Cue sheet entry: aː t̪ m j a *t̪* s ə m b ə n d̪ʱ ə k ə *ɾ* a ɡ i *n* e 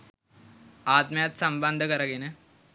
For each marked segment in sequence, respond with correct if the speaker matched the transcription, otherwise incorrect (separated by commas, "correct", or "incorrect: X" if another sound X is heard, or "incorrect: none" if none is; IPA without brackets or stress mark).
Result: correct, correct, correct